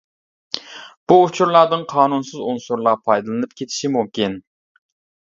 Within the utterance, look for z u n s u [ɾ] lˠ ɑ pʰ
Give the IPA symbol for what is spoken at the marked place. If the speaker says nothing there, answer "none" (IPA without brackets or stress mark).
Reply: ɾ